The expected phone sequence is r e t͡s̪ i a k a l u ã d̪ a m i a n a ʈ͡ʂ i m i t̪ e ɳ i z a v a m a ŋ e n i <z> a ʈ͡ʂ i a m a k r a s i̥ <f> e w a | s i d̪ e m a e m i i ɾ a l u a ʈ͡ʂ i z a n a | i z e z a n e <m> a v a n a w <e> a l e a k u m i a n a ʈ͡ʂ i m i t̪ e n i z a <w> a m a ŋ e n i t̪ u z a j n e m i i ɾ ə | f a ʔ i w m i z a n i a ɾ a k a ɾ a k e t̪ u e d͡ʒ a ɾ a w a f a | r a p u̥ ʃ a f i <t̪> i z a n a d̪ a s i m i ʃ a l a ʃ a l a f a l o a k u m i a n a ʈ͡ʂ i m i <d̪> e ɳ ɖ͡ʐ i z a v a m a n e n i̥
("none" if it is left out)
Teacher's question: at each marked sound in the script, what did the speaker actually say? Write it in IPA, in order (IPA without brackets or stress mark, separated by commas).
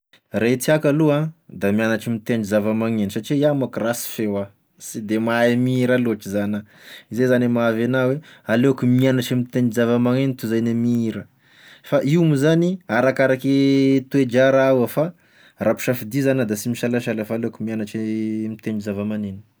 s, f, m, e, v, d̪, t̪